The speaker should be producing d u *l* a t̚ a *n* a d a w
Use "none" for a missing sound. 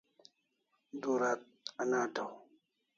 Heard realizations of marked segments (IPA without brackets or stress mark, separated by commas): ɾ, n